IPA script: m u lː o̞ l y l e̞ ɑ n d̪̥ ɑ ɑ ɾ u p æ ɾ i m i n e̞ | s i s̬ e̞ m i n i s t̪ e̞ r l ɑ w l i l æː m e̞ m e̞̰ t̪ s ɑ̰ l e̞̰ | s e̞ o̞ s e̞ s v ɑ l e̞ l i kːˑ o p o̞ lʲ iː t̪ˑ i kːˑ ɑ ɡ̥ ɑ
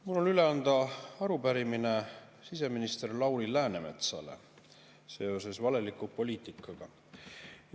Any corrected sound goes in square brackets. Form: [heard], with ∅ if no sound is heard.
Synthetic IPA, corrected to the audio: m u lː o̞ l y l e̞ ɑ n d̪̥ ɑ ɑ ɾ u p æ ɾ i m i n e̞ | s i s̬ e̞ m i n i s t̪ e̞ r l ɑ w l i l æː [n] e̞ m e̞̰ t̪ s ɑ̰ l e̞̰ | s e̞ o̞ s e̞ s v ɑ l e̞ l i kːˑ [u] p o̞ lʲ iː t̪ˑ i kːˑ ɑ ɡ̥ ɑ